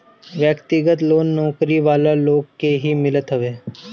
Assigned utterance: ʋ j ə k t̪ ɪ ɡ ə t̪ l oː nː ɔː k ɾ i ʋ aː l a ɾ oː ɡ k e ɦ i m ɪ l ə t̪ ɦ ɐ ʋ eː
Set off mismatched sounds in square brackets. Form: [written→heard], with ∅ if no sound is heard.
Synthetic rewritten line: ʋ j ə k t̪ ɪ ɡ ə t̪ l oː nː ɔː k ɾ i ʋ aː l a [ɾ→l] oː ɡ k e ɦ i m ɪ l ə t̪ ɦ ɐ ʋ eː